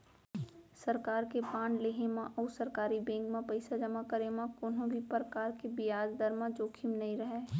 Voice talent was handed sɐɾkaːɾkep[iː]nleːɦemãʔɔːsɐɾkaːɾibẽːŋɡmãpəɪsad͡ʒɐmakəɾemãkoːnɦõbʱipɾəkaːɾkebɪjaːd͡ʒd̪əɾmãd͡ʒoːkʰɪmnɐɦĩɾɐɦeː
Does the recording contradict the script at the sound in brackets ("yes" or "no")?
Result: yes